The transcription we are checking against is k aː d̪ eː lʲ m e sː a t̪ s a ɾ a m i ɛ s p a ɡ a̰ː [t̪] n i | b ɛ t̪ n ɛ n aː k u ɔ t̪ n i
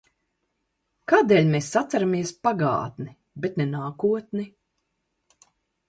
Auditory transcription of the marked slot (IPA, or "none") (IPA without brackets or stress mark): t̪